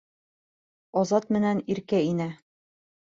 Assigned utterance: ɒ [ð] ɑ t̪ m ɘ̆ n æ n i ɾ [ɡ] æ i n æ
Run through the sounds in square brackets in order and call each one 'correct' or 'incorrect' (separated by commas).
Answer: incorrect, incorrect